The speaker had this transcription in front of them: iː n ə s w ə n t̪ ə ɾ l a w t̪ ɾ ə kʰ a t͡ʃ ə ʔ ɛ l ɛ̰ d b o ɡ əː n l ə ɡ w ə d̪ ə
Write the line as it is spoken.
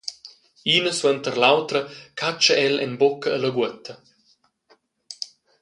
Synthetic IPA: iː n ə s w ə n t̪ ə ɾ l a w t̪ ɾ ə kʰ a t͡ʃ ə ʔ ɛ l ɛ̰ n b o k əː l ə ɡ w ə t̪ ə